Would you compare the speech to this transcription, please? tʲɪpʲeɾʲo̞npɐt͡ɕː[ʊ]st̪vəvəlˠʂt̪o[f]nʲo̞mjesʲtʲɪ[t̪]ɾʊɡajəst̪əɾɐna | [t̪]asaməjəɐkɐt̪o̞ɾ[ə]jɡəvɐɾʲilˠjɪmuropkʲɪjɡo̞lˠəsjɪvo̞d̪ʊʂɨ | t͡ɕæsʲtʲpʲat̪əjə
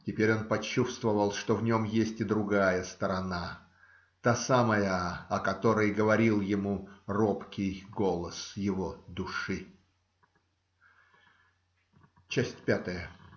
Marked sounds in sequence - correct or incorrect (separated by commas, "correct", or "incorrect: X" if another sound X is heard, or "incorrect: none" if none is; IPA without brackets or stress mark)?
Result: incorrect: u, incorrect: v, incorrect: d̪, correct, correct